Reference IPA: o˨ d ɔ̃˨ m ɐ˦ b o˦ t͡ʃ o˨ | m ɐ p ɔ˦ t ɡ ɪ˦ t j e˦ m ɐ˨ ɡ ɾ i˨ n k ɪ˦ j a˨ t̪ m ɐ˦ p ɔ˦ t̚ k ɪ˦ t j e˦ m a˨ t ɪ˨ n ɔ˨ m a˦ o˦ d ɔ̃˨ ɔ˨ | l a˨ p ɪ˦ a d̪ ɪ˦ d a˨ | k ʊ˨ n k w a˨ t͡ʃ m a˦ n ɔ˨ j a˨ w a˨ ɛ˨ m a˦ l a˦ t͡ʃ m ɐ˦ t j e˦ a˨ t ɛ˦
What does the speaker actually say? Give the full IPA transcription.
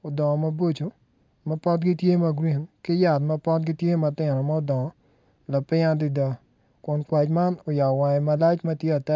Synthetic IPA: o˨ d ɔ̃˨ m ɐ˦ b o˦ t͡ʃ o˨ | m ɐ p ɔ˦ t ɡ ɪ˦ t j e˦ m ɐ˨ ɡ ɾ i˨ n k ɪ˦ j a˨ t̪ m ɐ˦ p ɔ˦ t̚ ɡ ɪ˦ t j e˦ m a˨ t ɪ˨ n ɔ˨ m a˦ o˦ d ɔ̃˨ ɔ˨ | l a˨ p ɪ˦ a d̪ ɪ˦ d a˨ | k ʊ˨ n k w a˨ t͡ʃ m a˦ n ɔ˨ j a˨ w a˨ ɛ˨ m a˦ l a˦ t͡ʃ m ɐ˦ t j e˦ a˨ t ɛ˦